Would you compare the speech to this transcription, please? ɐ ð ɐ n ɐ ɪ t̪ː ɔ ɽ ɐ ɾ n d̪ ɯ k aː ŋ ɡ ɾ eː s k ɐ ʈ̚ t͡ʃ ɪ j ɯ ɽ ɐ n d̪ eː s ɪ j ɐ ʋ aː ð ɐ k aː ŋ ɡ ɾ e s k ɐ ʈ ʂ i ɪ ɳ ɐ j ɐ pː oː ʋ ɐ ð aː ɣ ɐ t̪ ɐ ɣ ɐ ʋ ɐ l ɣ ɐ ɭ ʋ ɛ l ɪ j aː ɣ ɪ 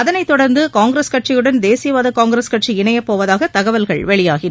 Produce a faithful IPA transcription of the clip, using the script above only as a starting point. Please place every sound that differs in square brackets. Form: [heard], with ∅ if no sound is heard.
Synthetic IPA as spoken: ɐ ð ɐ n ɐ ɪ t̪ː ɔ ɽ ɐ ɾ n d̪ ɯ k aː ŋ ɡ ɾ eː s k ɐ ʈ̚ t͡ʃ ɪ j ɯ ɽ ɐ n d̪ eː s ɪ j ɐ ʋ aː ð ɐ k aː ŋ ɡ ɾ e s k ɐ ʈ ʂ i ɪ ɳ ɐ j ɐ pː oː ʋ ɐ ð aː ɣ ɐ t̪ ɐ ɣ ɐ ʋ ɐ l ɣ ɐ ɭ ʋ ɛ [ɭ] ɪ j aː ɣ ɪ